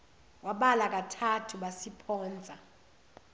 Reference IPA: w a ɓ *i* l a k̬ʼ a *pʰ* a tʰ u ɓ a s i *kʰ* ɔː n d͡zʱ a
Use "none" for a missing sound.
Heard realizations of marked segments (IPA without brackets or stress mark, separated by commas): a, tʰ, pʰ